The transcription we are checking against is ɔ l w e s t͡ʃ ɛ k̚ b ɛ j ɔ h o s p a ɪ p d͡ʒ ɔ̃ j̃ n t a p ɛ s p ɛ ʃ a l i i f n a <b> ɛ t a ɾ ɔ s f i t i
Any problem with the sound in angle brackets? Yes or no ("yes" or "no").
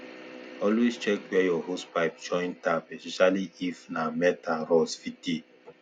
yes